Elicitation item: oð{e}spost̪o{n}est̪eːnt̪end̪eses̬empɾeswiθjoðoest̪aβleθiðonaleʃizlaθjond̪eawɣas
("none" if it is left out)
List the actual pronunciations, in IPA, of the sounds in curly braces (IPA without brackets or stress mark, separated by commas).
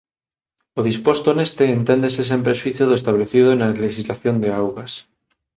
i, n